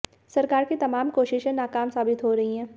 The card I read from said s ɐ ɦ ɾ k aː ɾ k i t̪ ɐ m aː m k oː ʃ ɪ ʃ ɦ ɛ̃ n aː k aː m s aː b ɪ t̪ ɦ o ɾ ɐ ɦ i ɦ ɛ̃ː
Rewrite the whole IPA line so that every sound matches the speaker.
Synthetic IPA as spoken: s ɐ ɾ k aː ɾ k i t̪ ɐ m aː m k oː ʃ ɪ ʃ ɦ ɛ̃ n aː k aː m s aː b ɪ t̪ ɦ o ɾ ɐ ɦ i ɦ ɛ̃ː